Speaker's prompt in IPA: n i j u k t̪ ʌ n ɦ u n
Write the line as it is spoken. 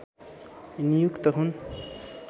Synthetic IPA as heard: n i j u k t̪ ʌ ɦ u n